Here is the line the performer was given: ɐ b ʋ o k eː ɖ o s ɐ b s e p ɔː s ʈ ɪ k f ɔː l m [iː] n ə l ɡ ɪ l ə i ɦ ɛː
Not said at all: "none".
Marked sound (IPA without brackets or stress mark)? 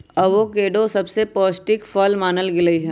aː